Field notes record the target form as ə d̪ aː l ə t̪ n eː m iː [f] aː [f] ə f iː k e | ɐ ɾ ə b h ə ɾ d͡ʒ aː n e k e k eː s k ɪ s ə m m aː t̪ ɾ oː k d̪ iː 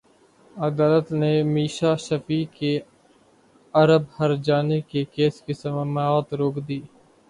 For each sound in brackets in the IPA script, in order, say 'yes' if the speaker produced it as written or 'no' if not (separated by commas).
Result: no, no